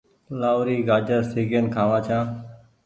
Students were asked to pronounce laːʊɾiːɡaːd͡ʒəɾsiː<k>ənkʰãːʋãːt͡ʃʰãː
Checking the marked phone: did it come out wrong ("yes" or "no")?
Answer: yes